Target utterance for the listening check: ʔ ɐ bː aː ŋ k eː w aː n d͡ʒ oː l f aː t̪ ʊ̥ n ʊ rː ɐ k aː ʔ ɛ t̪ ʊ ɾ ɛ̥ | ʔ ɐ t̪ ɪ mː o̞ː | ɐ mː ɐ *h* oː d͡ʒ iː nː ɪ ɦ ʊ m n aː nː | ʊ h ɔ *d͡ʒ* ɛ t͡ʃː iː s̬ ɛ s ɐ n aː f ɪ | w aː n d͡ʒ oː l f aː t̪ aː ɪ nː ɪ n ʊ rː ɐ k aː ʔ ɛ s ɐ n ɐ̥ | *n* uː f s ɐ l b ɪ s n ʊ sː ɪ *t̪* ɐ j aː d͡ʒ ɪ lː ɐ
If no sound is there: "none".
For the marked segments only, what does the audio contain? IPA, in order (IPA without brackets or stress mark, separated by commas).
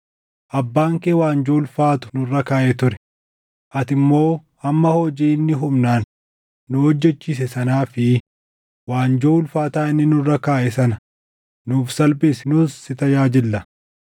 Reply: h, d͡ʒː, n, t̪